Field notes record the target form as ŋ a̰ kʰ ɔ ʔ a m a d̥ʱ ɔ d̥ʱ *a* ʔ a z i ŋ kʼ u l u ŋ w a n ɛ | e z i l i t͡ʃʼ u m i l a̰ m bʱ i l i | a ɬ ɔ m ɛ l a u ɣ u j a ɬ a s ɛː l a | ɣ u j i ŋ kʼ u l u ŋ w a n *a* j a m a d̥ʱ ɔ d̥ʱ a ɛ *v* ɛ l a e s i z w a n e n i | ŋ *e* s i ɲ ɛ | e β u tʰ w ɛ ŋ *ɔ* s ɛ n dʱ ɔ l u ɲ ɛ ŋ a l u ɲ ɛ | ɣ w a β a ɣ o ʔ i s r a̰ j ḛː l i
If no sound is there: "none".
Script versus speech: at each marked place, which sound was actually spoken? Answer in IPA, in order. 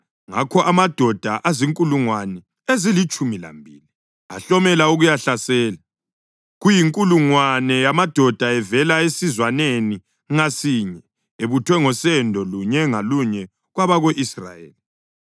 a, ɛ, v, a, ɔ

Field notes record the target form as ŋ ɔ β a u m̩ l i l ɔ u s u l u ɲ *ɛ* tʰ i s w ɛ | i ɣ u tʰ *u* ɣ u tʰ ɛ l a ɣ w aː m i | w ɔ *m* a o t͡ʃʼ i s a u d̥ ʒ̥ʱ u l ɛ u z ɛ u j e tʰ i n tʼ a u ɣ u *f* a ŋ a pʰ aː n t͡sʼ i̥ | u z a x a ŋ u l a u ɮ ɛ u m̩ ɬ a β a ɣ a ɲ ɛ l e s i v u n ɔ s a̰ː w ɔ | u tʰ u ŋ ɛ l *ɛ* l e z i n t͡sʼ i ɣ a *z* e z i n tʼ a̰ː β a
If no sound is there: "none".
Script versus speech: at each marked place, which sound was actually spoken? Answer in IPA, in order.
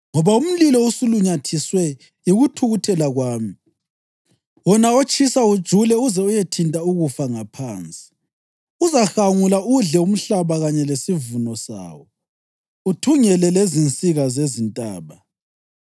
a, u, n, f, ɛ, z

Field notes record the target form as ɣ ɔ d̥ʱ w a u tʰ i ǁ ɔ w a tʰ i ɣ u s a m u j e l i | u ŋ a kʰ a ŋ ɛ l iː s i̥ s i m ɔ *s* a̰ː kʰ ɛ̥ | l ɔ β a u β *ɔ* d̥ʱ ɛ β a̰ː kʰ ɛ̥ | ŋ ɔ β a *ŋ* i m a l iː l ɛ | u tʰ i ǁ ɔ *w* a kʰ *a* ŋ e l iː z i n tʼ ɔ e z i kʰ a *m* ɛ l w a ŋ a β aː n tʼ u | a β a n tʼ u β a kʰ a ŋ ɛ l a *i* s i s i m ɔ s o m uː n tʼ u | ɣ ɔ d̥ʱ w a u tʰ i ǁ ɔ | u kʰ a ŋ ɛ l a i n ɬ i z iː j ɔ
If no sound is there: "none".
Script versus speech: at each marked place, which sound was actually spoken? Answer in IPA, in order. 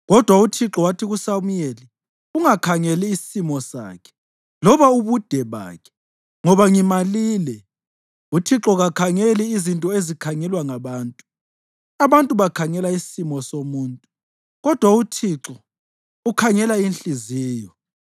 s, u, ŋ, ɣ, a, ŋ, i

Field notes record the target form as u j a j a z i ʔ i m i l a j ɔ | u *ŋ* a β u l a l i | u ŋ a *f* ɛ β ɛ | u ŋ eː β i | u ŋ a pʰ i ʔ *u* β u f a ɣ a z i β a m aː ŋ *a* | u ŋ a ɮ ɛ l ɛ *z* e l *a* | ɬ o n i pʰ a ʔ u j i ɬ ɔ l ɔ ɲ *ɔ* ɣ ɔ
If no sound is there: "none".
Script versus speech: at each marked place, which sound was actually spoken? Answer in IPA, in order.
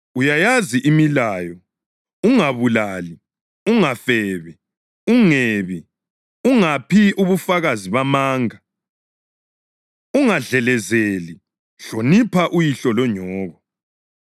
ŋ, f, u, a, z, i, ɔː

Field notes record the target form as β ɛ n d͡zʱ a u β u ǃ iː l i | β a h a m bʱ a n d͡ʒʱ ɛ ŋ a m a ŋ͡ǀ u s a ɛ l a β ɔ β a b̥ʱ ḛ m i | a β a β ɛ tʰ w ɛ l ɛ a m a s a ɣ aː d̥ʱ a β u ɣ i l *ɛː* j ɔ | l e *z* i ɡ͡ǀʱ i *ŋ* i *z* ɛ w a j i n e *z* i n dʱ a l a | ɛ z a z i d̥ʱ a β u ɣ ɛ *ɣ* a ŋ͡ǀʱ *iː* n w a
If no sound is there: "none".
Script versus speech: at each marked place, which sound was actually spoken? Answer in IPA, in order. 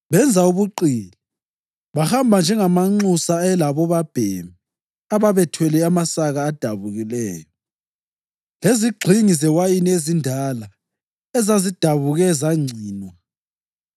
ɛː, z, ŋ, z, z, z, iː

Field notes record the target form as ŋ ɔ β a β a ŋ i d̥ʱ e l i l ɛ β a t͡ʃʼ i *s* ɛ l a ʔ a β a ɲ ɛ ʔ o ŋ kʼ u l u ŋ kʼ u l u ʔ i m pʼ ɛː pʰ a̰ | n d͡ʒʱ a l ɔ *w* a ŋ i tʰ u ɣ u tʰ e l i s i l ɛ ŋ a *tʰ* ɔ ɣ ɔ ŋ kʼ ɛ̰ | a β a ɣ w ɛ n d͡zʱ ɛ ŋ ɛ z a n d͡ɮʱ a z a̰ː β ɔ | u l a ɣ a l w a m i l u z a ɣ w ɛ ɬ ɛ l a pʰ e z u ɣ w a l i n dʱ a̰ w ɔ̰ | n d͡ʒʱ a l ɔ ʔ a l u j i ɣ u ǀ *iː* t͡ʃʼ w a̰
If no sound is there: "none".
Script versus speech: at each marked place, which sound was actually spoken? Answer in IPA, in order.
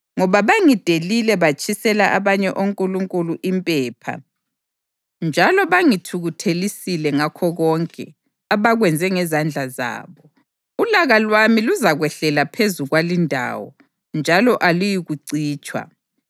s, β, kʰ, iː

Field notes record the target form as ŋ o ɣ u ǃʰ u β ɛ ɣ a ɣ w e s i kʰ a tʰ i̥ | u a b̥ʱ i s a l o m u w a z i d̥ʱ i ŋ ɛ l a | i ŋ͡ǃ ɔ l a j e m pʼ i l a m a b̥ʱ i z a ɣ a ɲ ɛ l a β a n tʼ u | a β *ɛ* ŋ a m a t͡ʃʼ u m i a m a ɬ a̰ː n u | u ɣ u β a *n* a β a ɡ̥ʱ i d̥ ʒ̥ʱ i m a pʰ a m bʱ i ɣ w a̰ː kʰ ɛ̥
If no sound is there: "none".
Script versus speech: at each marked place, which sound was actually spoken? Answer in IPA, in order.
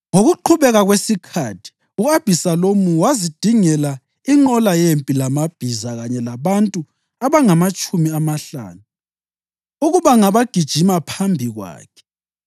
a, ŋ

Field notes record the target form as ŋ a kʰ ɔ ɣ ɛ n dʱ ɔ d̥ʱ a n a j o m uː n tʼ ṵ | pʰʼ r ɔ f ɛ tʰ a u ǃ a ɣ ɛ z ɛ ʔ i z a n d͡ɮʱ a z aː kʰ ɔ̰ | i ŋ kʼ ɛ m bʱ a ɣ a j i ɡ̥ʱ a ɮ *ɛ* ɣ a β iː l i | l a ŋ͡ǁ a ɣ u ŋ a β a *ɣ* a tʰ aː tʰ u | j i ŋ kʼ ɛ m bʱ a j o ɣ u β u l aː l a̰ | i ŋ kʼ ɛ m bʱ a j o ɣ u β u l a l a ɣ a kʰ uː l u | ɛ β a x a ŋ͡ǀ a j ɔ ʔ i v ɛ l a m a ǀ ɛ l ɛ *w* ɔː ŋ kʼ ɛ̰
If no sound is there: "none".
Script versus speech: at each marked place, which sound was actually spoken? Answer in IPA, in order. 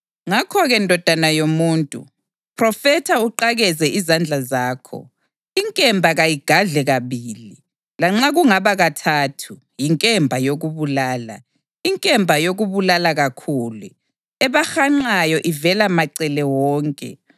ɛ, ɣ, w

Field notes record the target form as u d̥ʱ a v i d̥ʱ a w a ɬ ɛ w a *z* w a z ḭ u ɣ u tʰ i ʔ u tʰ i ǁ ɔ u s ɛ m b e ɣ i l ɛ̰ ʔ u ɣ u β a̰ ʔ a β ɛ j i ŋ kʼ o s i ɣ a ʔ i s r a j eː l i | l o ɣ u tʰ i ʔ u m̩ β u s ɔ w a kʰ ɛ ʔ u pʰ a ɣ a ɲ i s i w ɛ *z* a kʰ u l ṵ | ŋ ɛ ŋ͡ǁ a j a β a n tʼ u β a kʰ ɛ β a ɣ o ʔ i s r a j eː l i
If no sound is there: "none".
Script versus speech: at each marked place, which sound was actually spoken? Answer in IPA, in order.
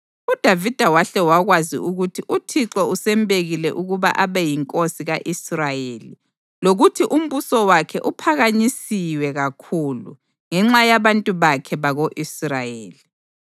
ɣ, ɣ

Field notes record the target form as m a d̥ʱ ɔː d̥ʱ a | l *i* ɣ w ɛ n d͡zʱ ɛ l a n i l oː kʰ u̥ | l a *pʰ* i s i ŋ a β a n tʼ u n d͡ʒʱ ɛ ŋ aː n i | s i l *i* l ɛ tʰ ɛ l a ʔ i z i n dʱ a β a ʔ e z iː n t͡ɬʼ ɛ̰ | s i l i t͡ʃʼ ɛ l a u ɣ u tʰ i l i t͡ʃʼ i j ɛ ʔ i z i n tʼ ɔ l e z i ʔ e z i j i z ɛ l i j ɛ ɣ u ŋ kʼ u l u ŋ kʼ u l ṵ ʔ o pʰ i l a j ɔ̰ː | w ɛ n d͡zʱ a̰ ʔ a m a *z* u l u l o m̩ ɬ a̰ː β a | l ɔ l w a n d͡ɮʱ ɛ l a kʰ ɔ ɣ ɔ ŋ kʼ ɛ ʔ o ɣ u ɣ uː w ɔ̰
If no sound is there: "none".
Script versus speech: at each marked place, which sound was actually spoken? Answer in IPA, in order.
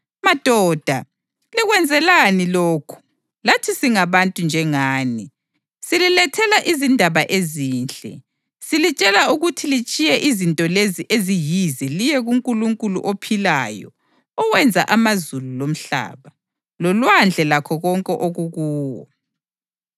i, tʰ, i, z

